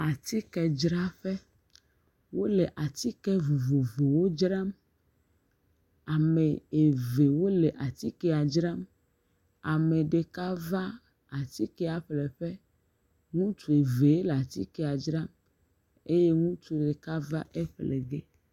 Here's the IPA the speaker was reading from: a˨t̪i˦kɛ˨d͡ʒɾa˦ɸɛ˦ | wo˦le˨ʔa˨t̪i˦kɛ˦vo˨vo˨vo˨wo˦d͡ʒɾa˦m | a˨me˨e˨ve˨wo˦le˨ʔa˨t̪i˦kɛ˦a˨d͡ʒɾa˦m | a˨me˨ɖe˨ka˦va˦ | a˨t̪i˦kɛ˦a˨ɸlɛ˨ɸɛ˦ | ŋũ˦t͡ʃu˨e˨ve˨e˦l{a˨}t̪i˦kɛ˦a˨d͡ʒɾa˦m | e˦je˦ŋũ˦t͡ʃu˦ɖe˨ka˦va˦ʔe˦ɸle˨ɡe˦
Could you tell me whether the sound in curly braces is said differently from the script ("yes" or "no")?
no